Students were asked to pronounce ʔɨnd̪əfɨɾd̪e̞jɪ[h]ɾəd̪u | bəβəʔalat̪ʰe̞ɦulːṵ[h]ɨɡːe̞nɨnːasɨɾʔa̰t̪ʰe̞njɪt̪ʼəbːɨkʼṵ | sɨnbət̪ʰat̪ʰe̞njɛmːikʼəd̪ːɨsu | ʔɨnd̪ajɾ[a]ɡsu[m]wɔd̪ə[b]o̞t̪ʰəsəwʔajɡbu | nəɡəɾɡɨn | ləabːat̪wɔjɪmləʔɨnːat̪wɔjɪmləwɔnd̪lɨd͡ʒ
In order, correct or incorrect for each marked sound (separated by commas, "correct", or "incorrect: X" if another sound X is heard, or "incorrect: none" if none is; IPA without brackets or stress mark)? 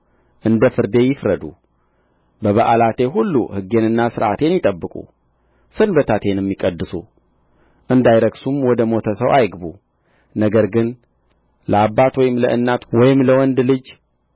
incorrect: f, correct, incorrect: ə, correct, incorrect: m